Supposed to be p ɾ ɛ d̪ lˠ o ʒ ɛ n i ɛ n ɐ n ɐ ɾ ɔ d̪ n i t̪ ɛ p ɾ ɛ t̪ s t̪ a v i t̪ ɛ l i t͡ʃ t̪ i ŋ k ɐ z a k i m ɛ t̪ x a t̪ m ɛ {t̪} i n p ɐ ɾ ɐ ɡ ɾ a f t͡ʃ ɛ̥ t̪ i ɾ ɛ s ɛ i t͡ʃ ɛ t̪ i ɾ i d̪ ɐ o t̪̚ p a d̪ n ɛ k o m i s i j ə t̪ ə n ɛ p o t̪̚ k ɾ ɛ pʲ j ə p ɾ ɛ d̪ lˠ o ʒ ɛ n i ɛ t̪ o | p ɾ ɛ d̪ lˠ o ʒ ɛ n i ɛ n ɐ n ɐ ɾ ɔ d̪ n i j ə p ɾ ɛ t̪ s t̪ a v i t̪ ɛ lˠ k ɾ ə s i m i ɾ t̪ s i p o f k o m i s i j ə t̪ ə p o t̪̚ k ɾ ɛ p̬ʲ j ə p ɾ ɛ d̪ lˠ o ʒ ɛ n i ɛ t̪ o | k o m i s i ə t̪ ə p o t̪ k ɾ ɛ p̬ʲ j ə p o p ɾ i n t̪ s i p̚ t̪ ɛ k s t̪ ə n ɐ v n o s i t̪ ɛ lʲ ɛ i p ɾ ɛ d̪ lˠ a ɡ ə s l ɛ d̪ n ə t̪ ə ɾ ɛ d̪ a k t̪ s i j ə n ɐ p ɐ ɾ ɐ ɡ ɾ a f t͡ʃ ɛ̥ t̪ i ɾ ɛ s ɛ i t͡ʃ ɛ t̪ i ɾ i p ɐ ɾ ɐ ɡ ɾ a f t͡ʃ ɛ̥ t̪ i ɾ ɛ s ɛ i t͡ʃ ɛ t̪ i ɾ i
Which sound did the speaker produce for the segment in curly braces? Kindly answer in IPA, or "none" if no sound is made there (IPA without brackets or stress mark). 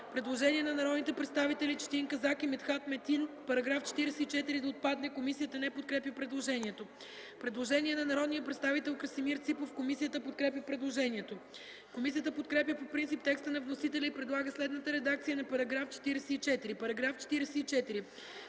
t̪